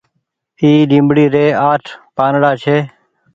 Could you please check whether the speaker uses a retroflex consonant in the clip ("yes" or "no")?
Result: yes